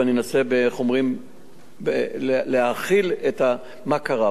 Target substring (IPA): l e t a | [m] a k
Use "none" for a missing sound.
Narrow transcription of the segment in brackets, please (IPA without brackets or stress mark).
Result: m